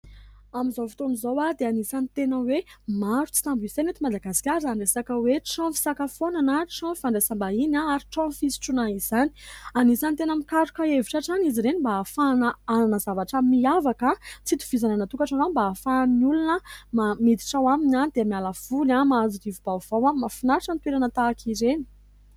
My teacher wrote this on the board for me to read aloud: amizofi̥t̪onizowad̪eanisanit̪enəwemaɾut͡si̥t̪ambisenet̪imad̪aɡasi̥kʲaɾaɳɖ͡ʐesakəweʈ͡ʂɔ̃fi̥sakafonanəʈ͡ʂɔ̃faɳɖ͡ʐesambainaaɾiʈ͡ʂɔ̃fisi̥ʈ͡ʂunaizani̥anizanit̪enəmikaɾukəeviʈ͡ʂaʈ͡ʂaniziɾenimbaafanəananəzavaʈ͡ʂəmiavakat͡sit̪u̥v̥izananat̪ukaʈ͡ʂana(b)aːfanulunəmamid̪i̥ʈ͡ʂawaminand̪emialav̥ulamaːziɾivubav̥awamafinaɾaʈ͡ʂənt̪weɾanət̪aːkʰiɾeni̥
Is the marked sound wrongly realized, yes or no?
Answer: no